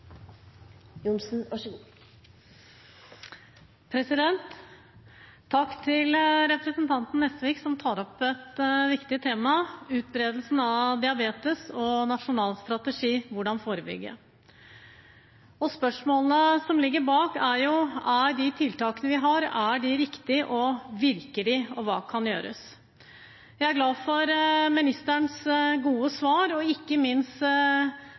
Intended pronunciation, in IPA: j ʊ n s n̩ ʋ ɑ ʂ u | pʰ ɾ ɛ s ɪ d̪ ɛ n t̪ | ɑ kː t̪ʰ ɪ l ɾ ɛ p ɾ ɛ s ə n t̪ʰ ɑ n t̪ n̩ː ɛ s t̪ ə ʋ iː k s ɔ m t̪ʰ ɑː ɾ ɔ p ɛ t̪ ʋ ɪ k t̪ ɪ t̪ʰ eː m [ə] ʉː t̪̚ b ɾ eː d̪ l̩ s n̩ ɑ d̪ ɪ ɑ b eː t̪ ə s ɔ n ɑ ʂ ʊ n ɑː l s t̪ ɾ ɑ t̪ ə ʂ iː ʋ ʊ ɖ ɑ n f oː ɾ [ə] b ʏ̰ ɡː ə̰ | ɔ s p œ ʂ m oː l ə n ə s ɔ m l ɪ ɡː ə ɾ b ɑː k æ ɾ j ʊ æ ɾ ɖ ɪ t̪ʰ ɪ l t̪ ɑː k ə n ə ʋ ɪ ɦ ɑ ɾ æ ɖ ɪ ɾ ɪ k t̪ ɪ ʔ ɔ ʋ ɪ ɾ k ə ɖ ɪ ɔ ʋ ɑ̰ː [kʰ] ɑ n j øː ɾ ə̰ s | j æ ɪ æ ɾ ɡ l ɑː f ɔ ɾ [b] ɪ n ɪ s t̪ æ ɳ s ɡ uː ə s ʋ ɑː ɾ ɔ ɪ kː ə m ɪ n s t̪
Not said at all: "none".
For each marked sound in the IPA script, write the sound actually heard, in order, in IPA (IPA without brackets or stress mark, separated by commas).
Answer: ɑ, ə, kʰ, m